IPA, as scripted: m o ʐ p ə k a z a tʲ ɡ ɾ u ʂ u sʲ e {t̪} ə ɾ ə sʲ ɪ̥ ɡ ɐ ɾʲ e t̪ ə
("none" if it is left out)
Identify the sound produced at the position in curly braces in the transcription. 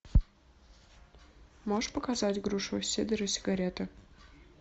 d̪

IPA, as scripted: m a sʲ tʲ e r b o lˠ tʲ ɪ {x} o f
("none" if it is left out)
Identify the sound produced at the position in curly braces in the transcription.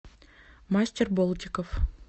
k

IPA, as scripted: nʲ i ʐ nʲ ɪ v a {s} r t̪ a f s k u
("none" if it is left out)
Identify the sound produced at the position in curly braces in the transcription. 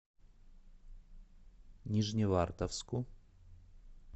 none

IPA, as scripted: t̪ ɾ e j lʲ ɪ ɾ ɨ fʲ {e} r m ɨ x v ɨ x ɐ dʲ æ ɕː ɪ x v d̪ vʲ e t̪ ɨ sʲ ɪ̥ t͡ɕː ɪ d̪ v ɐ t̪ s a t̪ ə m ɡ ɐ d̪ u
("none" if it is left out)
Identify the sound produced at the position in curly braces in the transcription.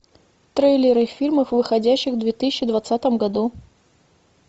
i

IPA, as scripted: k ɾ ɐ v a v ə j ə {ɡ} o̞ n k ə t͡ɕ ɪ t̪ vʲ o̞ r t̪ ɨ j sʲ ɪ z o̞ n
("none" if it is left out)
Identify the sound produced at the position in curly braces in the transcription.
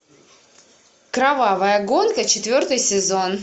ɡ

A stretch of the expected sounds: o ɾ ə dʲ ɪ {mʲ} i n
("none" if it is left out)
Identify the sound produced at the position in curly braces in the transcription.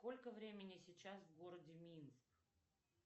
mʲ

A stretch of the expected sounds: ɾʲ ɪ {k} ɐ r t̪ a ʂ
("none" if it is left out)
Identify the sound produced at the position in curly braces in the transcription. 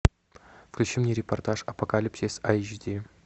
p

